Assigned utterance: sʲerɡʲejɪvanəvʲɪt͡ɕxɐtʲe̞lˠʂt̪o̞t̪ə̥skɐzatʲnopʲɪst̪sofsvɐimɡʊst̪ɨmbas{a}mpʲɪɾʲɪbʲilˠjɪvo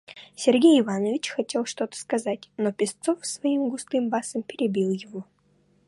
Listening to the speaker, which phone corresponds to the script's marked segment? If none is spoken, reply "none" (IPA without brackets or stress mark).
ə